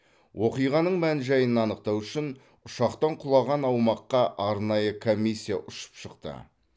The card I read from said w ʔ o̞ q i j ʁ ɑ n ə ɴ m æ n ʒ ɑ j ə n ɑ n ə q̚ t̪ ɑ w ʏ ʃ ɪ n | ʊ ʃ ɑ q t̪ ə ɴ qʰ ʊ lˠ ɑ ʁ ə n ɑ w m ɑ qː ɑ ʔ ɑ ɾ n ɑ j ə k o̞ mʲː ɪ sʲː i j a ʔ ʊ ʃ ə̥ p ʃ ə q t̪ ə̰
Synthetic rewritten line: w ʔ o̞ q i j ʁ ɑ n ə ɴ m æ n ʒ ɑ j ə n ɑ n ə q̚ t̪ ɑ w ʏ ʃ ɪ n | ʊ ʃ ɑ q t̪ ɑ ɴ qʰ ʊ lˠ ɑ ʁ ɑ n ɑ w m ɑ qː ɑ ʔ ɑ ɾ n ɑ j ə kʰ o̞ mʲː i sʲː i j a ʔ ʊ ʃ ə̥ p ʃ ə q t̪ ə̰